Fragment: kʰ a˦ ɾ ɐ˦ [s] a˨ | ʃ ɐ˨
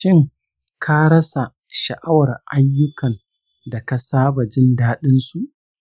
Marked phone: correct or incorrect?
correct